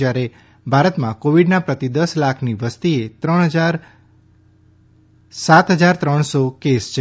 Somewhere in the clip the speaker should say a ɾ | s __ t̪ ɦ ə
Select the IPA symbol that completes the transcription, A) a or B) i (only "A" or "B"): A